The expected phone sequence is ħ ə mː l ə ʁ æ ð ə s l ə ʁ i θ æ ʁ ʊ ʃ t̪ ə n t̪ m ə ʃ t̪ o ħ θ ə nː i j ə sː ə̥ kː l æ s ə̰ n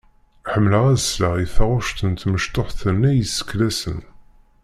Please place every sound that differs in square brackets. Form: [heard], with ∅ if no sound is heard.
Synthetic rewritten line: ħ ə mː l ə ʁ æ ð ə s l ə ʁ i θ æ ʁ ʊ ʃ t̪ ə n t̪ m ə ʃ t̪ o ħ θ ə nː [æ] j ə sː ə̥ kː l æ s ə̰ n